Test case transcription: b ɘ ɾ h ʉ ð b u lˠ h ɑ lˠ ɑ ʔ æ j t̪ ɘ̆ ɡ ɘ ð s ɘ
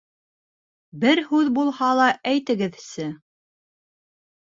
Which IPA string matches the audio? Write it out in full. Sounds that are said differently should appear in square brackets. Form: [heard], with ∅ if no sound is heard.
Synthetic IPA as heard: b ɘ ɾ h ʉ ð b u lˠ h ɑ lˠ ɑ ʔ æ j t̪ ɘ̆ ɡ ɘ ð s ɘ